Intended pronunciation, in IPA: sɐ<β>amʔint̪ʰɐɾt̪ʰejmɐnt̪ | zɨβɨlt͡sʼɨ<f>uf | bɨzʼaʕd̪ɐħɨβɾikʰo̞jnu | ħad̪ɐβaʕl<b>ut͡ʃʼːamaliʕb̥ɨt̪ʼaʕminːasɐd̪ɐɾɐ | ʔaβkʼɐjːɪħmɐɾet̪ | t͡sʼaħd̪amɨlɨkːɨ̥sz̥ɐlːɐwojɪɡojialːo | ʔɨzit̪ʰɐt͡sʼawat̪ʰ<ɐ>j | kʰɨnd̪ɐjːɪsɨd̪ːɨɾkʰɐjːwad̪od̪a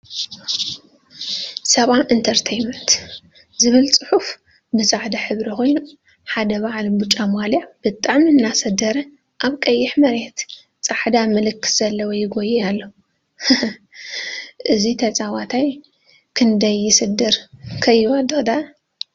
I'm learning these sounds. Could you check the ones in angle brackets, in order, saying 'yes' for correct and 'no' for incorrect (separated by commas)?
yes, no, yes, no